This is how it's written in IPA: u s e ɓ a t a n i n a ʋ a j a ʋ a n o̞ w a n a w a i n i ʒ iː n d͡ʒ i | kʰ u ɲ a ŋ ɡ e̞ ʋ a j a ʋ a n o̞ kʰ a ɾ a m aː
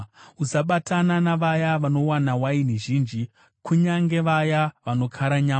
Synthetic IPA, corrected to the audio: u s a ɓ a t a n a n a ʋ a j a ʋ a n o̞ w a n a w a i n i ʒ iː n d͡ʒ i | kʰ u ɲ a ŋ ɡ e̞ ʋ a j a ʋ a n o̞ kʰ a ɾ a ɲ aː